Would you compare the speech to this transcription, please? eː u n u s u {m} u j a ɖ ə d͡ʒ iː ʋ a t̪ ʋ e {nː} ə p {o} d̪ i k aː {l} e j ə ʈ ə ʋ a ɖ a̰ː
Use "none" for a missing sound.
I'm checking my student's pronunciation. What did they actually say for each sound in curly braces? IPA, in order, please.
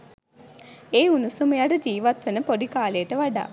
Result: m, n, o, l

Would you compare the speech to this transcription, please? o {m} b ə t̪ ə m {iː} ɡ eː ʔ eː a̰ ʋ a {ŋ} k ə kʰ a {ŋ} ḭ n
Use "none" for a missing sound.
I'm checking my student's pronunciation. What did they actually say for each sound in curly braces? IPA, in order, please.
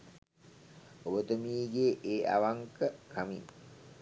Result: none, iː, ŋ, m

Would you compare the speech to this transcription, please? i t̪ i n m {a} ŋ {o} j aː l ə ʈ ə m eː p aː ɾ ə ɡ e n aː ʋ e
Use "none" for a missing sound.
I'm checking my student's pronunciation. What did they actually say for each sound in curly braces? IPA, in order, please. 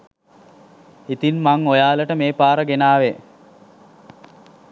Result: a, o

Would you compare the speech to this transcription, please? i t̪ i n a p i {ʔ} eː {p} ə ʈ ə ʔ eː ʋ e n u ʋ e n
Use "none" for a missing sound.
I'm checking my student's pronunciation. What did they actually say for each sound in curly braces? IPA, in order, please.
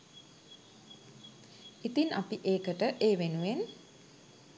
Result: ʔ, k

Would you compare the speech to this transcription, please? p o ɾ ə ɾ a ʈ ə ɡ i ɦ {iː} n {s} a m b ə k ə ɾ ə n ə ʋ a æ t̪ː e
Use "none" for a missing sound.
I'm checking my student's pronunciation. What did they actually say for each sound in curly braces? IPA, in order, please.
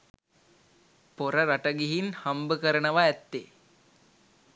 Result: i, h

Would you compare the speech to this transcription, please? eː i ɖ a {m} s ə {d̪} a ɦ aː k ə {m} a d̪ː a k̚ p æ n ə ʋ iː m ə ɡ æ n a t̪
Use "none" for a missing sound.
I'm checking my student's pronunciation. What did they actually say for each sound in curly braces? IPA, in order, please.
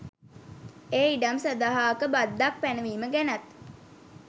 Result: m, d̪, b

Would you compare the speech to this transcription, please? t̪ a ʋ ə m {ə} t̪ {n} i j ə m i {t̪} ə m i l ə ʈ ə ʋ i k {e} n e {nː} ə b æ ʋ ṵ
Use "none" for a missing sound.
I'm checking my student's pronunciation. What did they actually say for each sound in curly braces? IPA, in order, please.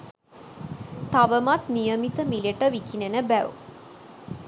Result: a, n, t̪, i, n

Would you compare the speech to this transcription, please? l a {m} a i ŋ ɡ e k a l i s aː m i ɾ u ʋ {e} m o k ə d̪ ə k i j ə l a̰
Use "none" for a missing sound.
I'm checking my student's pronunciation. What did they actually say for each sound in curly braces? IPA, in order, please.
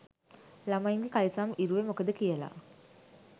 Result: m, e

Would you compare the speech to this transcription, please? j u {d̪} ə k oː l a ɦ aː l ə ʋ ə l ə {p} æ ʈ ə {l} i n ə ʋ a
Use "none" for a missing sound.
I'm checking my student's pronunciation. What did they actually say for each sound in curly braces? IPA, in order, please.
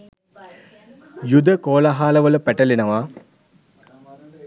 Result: d̪, p, l

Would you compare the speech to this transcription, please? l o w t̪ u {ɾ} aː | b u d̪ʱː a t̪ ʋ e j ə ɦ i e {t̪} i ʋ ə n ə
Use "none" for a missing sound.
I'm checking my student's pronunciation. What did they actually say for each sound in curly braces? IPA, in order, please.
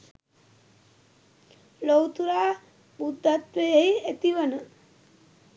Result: ɾ, t̪

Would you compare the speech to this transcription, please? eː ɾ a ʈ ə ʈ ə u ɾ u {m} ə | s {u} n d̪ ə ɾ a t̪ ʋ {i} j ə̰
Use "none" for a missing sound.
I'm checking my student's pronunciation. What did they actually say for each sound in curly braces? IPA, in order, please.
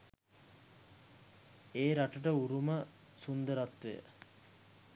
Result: m, u, e

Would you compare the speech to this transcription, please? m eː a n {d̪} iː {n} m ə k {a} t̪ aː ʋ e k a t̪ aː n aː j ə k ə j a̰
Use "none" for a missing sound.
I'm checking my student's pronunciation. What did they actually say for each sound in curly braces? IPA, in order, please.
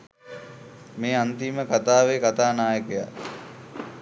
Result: t̪, none, a

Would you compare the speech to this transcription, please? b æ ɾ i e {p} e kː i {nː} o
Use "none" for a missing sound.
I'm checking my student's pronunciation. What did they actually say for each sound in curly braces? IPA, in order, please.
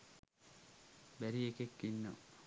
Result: k, nː

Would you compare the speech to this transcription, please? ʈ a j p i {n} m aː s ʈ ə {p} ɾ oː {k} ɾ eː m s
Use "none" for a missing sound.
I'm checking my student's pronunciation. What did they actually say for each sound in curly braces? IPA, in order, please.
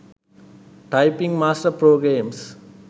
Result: ŋ, p, ɡ

